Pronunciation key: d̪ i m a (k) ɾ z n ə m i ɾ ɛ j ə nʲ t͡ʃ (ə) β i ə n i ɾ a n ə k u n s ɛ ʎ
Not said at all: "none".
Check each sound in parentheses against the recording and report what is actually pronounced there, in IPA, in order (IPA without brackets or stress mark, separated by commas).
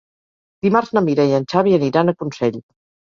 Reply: none, a